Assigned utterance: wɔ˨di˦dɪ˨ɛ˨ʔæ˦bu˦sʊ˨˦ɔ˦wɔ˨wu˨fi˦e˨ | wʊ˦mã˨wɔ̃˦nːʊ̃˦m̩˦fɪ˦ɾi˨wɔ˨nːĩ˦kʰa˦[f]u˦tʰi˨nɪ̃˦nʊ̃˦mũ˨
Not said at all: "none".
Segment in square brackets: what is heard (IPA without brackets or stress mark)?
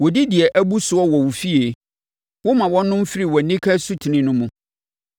s